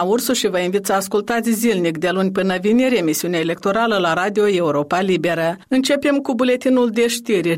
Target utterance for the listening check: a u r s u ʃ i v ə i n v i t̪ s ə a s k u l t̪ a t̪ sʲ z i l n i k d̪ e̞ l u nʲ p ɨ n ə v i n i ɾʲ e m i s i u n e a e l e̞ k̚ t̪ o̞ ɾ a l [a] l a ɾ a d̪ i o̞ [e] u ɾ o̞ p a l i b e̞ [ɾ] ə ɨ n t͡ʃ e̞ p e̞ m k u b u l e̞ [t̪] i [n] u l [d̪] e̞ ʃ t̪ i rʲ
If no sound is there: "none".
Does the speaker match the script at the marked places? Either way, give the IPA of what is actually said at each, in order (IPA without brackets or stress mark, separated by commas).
ə, e, ɾ, t̪, n, d̪